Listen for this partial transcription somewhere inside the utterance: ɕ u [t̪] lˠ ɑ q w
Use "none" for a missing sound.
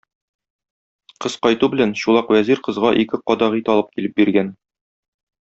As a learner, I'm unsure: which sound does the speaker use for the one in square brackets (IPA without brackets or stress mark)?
none